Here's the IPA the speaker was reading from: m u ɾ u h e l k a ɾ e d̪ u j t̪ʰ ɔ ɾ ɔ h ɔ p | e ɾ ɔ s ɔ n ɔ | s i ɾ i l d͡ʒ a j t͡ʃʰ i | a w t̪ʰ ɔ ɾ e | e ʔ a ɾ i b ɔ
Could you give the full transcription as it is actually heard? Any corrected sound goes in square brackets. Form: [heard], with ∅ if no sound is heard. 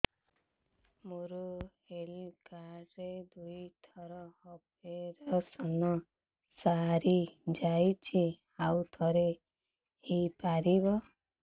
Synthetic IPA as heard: m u ɾ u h e l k a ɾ e d̪ u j t̪ʰ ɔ ɾ ɔ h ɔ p | e ɾ ɔ s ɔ n ɔ | s [a] ɾ i [∅] d͡ʒ a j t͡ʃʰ i | a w t̪ʰ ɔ ɾ e | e [p] a ɾ i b ɔ

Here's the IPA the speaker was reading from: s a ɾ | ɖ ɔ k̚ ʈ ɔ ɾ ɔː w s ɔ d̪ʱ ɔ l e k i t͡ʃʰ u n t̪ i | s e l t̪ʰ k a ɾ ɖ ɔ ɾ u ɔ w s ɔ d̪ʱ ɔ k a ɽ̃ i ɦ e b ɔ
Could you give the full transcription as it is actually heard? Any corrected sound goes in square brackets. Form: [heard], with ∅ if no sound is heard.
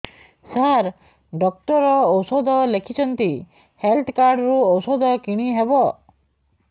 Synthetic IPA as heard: s a ɾ | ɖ ɔ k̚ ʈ ɔ ɾ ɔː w s ɔ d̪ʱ ɔ l e [kʰ] i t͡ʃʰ [ɔ] n t̪ i | [h] e l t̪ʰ k a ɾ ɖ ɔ ɾ u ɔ w s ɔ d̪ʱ ɔ k [i] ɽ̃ i ɦ e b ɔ

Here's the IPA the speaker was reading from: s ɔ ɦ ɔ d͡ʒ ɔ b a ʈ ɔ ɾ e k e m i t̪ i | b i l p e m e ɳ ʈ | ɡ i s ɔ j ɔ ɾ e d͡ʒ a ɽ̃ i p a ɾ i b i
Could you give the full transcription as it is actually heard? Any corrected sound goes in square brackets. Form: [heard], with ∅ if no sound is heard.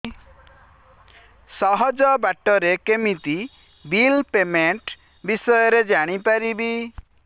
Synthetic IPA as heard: s ɔ ɦ ɔ d͡ʒ ɔ b a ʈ ɔ ɾ e k e m i t̪ i | b i l p e m e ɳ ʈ | [b] i s ɔ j ɔ ɾ e d͡ʒ a ɽ̃ i p a ɾ i b i

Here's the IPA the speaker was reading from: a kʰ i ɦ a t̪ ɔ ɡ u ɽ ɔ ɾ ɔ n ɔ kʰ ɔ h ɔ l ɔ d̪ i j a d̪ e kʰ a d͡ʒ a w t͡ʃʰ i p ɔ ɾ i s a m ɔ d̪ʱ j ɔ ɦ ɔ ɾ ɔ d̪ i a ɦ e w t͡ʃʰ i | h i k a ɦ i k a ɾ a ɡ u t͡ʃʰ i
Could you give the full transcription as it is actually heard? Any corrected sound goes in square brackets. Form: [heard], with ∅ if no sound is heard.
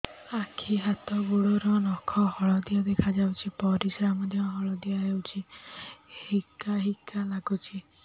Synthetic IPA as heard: a kʰ i ɦ a t̪ ɔ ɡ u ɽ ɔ ɾ ɔ n ɔ kʰ ɔ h ɔ [ɭ] ɔ d̪ i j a d̪ e kʰ a d͡ʒ a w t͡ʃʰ i p ɔ ɾ i s a m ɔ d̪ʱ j ɔ ɦ ɔ [ɭ] ɔ d̪ i a ɦ e w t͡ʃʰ i | h i k a ɦ i k a [l] a ɡ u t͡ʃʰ i

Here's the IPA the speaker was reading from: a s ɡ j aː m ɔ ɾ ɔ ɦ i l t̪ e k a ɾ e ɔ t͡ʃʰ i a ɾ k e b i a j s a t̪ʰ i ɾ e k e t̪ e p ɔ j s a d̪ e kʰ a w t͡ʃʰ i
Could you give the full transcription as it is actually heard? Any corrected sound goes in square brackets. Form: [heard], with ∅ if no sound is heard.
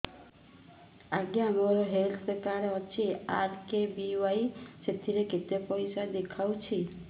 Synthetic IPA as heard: a [∅] ɡ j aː m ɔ ɾ ɔ ɦ [e] l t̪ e k a ɾ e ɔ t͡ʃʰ i a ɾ k e b i a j s [e] t̪ʰ i ɾ e k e t̪ e p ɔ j s a d̪ e kʰ a w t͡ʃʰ i

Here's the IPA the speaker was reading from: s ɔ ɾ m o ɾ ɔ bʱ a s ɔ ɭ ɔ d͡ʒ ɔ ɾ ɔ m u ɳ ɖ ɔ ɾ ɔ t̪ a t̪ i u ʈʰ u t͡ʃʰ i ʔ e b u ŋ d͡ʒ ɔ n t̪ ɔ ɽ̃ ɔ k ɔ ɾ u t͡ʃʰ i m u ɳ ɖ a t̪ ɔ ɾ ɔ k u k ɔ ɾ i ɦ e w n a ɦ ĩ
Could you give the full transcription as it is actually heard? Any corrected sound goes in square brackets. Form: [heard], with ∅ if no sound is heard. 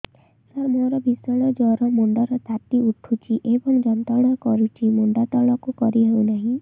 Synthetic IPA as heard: s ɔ ɾ m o ɾ ɔ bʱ [i] s ɔ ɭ ɔ d͡ʒ ɔ ɾ ɔ m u ɳ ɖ ɔ ɾ ɔ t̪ a t̪ i u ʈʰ u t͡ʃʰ i ʔ e b [ɔ] ŋ d͡ʒ ɔ n t̪ ɔ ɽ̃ ɔ k ɔ ɾ u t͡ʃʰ i m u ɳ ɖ a t̪ ɔ [ɭ] ɔ k u k ɔ ɾ i ɦ e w n a ɦ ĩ

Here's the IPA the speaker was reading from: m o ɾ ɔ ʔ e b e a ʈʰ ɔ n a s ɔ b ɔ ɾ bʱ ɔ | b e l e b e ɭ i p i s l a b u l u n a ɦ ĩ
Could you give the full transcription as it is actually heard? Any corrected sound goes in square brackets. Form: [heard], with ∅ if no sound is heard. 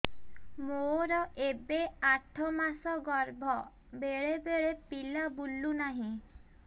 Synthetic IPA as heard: m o ɾ ɔ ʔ e b e a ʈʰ ɔ [m] a s ɔ [ɡ] ɔ ɾ bʱ ɔ | b e [ɭ] e b e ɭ [e] p i [∅] l a b u l u n a ɦ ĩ

